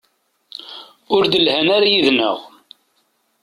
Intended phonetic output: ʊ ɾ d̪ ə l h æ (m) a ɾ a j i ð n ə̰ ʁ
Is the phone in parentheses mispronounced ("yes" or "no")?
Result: yes